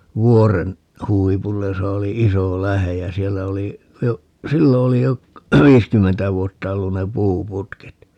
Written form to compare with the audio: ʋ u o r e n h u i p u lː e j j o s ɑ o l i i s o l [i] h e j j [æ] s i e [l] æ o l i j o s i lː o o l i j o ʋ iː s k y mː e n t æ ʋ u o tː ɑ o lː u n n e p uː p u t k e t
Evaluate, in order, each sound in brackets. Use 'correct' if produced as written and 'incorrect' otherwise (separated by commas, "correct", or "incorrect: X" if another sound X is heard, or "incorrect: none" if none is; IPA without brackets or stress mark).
incorrect: æ, correct, incorrect: lː